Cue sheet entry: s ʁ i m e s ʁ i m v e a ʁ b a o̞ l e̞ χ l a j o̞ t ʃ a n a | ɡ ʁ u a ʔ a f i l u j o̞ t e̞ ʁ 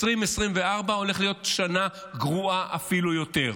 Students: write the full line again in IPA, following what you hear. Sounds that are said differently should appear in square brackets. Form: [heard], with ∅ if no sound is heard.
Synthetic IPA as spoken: s ʁ i m e s ʁ i m v e a ʁ b a o̞ l e̞ χ l [i] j o̞ t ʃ a n a | ɡ ʁ u a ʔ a f i l u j o̞ t e̞ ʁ